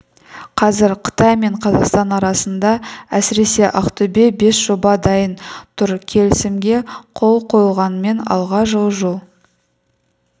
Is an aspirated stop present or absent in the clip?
present